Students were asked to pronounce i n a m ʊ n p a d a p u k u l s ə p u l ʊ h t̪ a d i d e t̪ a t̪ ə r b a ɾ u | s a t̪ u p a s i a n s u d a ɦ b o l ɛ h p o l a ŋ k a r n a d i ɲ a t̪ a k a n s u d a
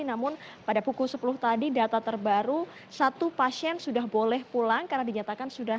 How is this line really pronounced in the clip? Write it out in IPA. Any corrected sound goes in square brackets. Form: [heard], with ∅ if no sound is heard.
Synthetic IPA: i n a m ʊ n p a d a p u k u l s ə p u l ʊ h t̪ a d i d [a] t̪ a t̪ ə r b a ɾ u | s a t̪ u p a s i [ɛ] n s u d a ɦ b o l ɛ h p [u] l a ŋ k a r n a d i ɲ a t̪ a k a n s u d a